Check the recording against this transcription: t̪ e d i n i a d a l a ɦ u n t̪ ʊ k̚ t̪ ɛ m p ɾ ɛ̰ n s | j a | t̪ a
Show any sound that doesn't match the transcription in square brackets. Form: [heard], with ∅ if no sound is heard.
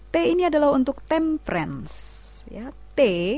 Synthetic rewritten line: t̪ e [∅] i n i a d a l a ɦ u n t̪ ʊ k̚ t̪ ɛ m p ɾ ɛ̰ n s | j a | t̪ [e]